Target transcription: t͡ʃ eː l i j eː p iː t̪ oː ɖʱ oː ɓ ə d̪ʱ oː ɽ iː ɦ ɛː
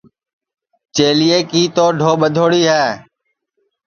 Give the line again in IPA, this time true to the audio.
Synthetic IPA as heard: t͡ʃ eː l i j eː k iː t̪ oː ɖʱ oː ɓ ə d̪ʱ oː ɽ iː ɦ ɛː